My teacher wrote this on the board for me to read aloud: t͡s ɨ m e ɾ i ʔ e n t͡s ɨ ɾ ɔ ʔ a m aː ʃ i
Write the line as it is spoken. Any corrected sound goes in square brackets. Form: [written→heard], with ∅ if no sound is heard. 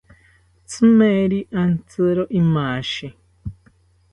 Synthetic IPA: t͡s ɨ m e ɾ i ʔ [e→a] n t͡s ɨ ɾ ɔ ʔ [a→i] m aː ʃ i